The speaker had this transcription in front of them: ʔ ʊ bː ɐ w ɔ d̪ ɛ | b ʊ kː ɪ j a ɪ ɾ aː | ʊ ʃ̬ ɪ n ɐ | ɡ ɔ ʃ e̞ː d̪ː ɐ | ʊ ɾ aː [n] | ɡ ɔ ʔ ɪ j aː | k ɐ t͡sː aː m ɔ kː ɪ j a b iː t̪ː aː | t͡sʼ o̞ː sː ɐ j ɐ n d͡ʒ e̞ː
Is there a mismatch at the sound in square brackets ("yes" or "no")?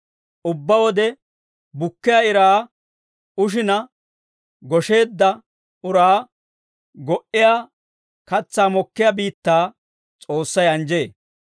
yes